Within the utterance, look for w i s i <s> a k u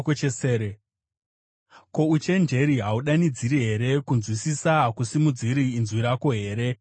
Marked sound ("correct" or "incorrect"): correct